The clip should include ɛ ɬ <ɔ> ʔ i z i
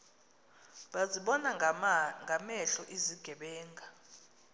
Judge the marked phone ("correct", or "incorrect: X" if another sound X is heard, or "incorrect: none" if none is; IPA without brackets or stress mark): correct